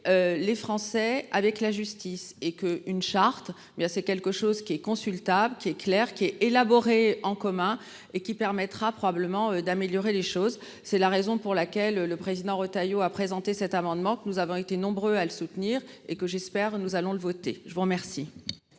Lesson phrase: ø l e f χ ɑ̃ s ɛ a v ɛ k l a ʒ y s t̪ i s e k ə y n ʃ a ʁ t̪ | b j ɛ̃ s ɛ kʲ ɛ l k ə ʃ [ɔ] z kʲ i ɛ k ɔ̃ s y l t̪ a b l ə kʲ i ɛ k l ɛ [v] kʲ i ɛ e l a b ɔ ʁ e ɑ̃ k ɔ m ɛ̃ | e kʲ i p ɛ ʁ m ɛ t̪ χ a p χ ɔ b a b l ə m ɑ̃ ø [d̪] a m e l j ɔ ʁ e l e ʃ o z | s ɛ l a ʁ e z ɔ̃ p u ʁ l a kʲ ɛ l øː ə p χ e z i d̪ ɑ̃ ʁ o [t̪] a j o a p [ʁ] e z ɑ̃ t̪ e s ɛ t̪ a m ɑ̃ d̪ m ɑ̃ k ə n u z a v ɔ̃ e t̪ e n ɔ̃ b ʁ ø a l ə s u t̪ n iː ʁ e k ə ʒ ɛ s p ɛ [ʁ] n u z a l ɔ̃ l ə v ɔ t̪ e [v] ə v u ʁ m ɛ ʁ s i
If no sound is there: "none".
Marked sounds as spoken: o, ʁ, d̪, t̪, χ, ʁ, ʒ

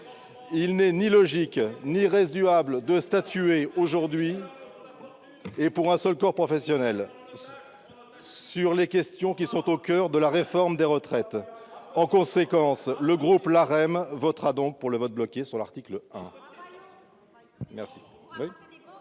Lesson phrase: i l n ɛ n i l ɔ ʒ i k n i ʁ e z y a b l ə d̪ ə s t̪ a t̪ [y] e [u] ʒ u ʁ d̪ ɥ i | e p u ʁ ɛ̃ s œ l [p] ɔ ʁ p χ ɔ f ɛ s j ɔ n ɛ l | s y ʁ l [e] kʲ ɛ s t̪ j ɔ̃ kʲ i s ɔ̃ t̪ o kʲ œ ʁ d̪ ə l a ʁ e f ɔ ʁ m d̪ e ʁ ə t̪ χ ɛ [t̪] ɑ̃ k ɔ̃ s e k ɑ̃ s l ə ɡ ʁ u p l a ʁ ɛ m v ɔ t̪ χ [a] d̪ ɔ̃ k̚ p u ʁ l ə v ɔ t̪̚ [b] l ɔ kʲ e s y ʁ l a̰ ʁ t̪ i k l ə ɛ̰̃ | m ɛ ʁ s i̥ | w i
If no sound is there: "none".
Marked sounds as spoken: y, o, k, e, t̪, a, b

